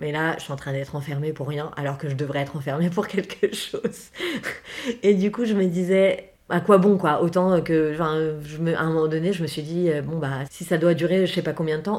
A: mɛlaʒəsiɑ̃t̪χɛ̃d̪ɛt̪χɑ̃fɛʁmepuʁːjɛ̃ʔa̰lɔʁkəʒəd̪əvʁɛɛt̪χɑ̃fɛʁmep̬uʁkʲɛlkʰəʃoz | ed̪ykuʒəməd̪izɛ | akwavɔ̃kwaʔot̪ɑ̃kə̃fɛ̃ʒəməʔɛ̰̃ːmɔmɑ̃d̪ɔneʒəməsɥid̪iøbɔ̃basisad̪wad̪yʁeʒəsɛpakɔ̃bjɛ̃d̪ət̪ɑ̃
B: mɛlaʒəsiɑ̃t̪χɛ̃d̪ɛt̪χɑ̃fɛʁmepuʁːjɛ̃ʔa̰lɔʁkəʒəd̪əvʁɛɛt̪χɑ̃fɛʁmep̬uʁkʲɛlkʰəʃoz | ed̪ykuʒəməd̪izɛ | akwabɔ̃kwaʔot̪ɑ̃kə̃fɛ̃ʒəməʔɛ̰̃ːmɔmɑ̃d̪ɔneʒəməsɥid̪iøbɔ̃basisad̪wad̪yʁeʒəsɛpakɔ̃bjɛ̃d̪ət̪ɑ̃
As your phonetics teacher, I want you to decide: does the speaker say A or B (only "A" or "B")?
B